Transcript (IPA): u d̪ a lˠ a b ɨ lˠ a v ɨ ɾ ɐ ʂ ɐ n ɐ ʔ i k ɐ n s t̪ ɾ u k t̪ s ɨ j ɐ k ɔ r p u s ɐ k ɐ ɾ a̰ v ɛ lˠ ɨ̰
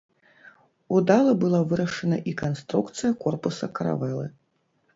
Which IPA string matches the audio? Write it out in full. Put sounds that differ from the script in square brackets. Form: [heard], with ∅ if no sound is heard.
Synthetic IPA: u d̪ a lˠ [ɐ] b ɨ lˠ a v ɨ ɾ ɐ ʂ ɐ n ɐ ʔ i k [a] n s t̪ ɾ u k t̪ s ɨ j ɐ k ɔ r p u s ɐ k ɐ ɾ a̰ v ɛ lˠ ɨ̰